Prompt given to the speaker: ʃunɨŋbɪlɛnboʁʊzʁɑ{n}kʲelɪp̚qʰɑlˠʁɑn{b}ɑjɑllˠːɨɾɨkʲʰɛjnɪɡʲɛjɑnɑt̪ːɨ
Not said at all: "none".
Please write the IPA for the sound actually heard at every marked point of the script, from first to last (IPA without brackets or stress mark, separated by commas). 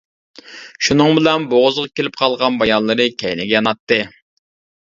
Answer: none, b